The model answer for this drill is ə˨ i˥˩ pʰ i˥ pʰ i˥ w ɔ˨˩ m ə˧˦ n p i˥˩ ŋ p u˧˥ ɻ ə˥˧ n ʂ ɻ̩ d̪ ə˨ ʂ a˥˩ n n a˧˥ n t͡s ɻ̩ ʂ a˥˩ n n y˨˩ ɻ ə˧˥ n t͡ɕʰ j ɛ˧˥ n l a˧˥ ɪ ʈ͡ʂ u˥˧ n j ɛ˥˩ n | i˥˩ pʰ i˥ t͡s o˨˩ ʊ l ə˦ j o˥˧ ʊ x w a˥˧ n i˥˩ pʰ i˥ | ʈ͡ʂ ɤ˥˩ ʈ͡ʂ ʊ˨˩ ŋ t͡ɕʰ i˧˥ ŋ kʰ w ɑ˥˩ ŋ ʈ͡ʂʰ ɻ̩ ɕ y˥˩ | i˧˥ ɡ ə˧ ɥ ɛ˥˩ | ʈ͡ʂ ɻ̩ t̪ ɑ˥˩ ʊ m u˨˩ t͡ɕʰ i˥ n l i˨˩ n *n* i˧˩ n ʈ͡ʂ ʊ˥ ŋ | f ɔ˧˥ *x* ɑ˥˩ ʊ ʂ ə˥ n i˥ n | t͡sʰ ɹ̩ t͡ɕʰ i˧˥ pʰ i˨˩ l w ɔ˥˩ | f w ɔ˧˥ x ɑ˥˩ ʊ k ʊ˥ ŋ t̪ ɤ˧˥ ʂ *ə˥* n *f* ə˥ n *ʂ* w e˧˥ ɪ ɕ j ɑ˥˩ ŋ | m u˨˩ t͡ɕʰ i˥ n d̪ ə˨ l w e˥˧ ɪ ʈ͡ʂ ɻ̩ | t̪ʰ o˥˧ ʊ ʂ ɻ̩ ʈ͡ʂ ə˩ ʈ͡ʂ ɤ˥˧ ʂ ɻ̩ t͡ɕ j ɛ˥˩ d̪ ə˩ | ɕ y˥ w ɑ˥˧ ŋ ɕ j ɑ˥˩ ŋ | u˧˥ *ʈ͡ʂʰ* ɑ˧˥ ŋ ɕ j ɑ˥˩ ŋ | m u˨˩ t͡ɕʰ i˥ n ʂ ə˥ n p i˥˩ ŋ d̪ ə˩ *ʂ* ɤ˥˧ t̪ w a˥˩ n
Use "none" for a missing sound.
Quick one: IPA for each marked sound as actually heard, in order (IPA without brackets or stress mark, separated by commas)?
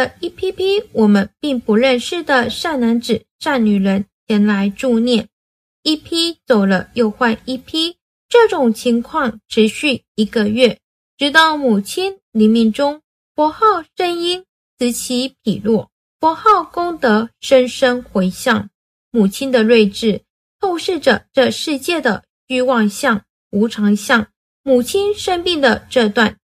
m, x, ə˥, ʂ, x, ʈ͡ʂʰ, ʈ͡ʂ